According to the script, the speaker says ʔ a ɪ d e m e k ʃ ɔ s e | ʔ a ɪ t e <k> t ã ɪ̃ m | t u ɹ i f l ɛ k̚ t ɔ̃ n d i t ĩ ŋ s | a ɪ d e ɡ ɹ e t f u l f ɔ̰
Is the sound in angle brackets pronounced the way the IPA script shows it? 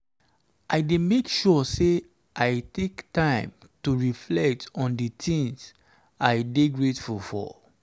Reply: yes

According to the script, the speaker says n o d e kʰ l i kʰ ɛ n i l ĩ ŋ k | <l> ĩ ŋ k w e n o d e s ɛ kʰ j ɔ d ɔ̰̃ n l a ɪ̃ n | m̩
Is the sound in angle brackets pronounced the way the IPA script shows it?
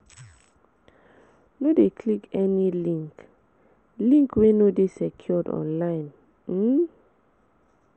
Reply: yes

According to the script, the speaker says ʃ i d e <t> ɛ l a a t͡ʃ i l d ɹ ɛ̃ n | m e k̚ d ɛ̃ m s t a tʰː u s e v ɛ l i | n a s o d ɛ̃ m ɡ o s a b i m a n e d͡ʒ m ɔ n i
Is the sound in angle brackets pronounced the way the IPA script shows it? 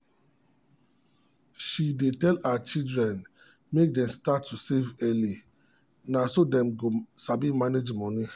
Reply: yes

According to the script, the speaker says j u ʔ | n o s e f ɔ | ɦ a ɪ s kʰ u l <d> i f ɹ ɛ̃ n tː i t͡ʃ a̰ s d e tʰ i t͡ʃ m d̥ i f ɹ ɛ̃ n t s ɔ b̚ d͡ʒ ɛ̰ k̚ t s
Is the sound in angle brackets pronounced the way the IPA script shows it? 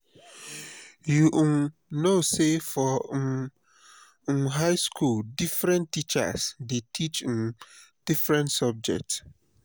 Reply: yes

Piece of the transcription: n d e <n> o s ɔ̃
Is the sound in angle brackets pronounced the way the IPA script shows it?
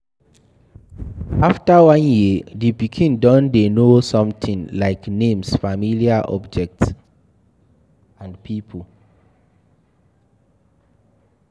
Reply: yes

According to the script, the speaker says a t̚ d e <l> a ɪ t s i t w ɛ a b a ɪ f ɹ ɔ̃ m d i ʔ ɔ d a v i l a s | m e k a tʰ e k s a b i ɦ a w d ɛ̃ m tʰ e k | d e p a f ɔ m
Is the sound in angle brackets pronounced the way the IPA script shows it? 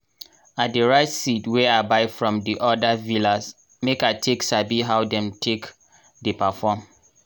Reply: no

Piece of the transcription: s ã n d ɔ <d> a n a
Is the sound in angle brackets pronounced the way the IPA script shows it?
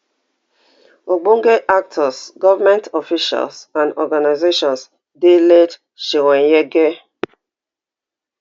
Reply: no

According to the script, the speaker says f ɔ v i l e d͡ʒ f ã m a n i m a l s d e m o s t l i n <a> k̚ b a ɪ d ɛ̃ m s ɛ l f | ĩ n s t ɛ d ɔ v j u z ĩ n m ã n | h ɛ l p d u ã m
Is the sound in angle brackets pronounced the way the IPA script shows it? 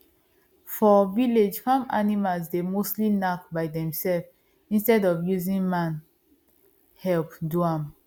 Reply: yes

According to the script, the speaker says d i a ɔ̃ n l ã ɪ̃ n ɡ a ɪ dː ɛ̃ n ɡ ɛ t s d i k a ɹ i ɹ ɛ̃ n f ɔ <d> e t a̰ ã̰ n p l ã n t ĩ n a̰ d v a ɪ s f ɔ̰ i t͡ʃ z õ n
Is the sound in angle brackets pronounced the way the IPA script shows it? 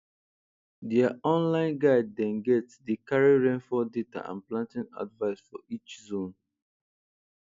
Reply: yes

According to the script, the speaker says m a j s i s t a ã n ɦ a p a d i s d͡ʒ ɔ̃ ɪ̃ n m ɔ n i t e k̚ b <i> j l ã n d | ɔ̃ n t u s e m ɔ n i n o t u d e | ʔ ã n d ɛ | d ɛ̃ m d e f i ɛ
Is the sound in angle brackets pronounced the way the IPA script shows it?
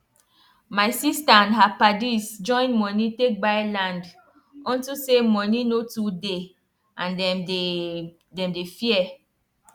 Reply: no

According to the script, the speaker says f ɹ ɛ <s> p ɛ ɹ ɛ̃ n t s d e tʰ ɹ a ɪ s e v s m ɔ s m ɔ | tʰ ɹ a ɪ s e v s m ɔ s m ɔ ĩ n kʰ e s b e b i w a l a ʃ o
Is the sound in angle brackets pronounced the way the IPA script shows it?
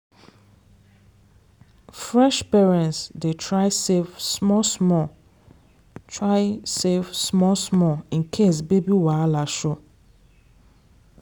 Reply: no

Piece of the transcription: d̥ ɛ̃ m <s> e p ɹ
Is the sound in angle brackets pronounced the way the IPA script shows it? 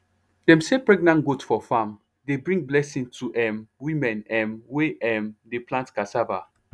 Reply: yes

